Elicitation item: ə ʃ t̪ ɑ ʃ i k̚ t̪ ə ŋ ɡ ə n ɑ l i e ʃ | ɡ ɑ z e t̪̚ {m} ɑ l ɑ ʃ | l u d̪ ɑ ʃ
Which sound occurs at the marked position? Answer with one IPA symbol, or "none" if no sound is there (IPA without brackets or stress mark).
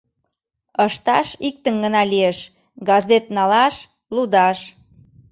n